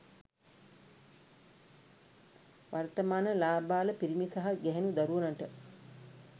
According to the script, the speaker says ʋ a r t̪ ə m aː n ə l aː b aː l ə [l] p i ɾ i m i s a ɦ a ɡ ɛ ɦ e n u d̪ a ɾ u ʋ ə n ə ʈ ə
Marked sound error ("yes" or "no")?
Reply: yes